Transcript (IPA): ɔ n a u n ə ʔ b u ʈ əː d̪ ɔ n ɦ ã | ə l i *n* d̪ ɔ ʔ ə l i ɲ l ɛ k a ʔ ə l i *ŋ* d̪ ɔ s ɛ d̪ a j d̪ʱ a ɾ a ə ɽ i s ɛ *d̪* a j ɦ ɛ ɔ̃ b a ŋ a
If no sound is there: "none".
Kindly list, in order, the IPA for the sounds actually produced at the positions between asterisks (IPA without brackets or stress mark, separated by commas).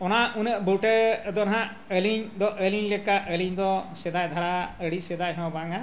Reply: ɲ, ɲ, d̪